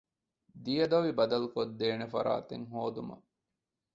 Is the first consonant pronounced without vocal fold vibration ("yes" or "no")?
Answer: no